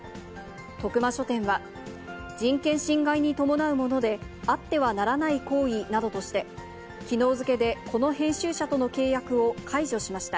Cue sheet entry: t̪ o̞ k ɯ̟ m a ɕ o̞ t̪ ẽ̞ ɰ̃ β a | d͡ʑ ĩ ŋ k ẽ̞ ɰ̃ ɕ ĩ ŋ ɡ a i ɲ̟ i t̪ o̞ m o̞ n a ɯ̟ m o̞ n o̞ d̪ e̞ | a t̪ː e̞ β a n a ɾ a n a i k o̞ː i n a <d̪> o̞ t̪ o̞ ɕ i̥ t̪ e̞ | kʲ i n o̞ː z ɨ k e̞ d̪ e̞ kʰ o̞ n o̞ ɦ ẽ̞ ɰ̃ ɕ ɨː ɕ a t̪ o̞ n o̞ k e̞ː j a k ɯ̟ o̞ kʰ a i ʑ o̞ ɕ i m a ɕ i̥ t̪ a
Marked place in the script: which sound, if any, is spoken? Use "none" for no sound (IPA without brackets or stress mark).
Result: d̪